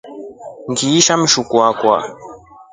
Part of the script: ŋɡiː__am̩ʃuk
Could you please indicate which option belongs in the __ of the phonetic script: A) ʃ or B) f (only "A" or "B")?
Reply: A